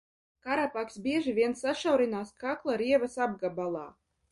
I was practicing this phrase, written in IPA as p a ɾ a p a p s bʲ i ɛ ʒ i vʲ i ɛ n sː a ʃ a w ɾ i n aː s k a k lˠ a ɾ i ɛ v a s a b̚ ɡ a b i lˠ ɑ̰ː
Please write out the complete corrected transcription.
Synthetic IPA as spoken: k a ɾ a p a k s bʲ i ɛ ʒ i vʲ i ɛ n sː a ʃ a w ɾ i n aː s k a k lˠ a ɾ i ɛ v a s a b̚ ɡ a b a lˠ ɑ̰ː